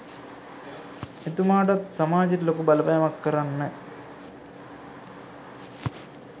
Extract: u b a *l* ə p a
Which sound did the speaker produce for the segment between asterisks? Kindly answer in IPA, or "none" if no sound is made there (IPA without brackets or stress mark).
l